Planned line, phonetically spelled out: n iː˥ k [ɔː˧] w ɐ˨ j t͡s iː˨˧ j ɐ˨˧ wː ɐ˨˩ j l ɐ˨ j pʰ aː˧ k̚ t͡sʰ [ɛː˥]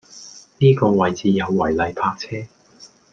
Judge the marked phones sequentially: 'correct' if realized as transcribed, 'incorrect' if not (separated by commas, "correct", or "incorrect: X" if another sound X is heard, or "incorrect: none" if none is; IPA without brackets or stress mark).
correct, correct